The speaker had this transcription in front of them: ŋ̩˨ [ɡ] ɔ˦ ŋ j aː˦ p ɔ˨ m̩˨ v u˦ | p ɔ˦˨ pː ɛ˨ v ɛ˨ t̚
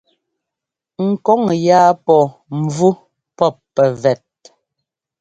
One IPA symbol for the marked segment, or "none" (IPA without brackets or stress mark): k